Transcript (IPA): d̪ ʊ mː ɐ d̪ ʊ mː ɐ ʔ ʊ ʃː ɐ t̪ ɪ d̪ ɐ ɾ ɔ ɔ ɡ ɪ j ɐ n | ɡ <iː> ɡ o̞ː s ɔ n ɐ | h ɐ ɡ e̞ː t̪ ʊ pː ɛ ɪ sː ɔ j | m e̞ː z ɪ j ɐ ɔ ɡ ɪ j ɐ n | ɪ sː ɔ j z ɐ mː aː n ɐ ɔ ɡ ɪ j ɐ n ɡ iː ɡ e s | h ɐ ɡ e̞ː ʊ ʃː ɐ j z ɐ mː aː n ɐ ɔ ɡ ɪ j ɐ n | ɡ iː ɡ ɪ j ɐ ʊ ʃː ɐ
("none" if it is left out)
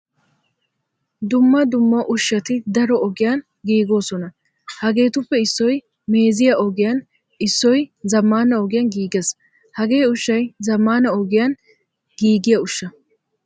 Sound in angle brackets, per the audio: iː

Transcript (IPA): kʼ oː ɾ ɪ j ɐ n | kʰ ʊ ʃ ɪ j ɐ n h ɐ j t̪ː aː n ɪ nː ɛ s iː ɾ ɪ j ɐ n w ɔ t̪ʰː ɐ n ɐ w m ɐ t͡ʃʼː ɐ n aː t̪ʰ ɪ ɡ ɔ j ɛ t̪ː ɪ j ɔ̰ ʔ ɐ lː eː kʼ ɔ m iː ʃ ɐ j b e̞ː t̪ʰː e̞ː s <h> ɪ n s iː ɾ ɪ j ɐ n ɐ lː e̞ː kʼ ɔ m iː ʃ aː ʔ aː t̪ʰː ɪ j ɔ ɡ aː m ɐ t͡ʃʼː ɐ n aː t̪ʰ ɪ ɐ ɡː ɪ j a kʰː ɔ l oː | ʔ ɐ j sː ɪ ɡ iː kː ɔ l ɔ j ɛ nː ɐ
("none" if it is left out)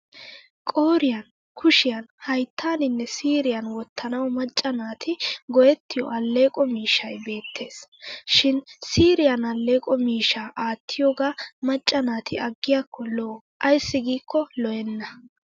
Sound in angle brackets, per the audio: ʃ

